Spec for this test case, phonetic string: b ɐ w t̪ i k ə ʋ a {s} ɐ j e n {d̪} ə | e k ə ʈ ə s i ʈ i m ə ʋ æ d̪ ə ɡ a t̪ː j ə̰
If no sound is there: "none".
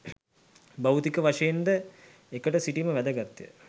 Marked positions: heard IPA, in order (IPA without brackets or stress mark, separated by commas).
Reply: ʂ, d̪